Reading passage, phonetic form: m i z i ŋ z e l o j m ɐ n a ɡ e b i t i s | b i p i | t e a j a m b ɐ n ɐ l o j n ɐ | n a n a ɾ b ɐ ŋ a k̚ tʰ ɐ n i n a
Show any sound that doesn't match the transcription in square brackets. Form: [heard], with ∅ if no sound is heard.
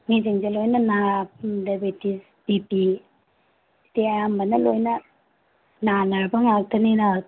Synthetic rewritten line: [ŋ] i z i ŋ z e l o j [n] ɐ n a [d] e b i t i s | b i p i | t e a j a m b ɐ n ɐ l o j n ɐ | n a n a ɾ b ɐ ŋ a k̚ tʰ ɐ n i n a